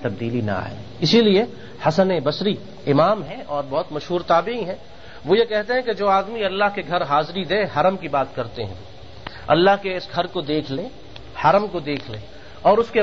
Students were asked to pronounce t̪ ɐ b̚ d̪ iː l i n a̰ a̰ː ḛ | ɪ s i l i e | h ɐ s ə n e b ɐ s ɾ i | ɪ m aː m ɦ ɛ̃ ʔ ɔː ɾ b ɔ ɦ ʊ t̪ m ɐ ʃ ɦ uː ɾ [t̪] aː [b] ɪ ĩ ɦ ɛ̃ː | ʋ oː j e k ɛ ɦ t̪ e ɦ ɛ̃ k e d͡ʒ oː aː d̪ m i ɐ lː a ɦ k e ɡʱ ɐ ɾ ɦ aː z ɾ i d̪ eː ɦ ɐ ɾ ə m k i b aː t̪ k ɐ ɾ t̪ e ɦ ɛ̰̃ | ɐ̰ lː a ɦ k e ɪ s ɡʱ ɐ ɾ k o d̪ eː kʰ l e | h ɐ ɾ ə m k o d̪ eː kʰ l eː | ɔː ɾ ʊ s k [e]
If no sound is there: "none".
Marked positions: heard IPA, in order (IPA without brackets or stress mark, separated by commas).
t̪, b, e